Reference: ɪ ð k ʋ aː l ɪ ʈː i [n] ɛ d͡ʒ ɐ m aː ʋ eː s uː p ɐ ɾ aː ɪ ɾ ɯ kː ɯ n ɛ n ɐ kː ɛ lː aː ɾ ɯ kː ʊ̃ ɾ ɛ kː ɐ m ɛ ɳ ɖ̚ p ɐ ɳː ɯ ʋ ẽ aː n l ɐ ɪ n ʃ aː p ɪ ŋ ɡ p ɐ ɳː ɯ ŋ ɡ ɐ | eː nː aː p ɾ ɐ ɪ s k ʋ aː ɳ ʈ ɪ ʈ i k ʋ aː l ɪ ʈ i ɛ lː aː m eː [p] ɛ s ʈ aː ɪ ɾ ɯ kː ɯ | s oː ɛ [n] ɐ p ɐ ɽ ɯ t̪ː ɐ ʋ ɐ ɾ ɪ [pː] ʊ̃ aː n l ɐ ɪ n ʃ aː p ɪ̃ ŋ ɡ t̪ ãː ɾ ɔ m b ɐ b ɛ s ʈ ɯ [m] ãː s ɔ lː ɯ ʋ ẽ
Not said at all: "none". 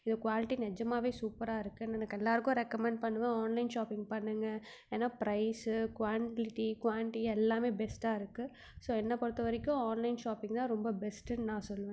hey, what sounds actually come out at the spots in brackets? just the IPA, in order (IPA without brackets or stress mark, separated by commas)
n, b, nː, kː, n